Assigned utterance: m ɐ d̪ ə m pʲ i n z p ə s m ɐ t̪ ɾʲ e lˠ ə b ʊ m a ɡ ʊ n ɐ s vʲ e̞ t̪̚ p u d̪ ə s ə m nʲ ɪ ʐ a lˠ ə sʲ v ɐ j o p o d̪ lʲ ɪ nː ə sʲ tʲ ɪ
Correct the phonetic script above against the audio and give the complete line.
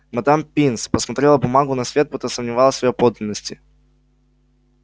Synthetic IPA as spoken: m ɐ d̪ a m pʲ i n s p ə s m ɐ t̪ ɾʲ e lˠ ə b ʊ m a ɡ ʊ n ɐ s vʲ e̞ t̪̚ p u t̪ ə s ə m nʲ ɪ v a lˠ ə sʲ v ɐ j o p o d̪ lʲ ɪ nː ə sʲ tʲ ɪ